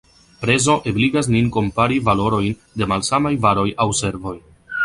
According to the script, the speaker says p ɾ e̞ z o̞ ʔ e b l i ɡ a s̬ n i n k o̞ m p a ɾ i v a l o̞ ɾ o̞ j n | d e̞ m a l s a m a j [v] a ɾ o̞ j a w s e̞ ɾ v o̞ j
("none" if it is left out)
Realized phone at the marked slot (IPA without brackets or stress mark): v